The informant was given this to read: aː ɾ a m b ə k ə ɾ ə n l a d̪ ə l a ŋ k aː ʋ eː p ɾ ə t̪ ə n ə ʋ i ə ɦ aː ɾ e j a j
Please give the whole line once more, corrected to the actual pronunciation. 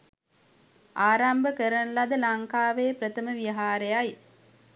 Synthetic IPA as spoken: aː ɾ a m b ə k ə ɾ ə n l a d̪ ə l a ŋ k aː ʋ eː p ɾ ə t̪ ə m ə ʋ i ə ɦ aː ɾ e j a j